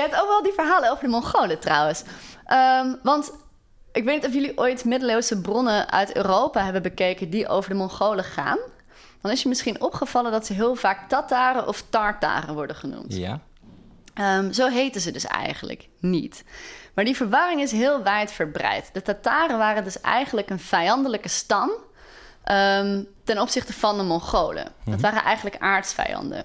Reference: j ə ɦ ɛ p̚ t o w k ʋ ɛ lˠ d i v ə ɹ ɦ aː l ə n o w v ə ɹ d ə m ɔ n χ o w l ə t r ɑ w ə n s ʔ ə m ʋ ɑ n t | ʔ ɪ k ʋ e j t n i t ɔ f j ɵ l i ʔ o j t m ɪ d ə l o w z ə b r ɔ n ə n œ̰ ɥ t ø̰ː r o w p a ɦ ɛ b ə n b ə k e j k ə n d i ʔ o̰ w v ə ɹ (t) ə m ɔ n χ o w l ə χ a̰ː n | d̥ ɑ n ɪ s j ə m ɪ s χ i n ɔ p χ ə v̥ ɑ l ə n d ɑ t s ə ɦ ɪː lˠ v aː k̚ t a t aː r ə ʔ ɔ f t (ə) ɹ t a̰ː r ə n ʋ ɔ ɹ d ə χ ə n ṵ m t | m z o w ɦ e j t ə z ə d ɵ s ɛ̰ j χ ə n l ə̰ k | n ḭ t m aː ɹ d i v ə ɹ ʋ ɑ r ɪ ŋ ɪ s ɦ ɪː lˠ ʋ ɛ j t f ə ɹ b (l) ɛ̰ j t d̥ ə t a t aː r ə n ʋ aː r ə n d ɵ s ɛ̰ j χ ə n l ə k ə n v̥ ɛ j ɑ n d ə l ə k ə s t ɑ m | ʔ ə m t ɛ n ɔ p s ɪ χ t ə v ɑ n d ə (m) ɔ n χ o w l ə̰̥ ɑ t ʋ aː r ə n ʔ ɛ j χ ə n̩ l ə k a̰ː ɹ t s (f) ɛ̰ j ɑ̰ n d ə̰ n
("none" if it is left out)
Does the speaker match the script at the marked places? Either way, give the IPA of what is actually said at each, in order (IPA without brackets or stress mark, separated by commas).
d, ɑ, r, m, f